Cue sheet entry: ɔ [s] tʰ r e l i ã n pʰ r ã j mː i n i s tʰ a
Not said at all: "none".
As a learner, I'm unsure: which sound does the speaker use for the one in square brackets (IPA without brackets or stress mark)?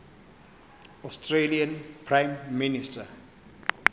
s